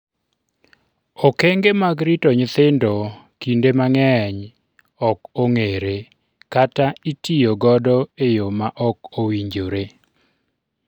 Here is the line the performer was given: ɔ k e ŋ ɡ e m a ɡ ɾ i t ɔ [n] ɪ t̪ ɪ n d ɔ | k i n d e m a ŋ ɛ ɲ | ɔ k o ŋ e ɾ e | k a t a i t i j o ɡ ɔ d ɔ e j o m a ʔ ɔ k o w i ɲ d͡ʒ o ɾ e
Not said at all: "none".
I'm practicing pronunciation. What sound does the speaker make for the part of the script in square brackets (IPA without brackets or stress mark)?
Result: ɲ